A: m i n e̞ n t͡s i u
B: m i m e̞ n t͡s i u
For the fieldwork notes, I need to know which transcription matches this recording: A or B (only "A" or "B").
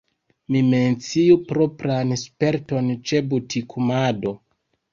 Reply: B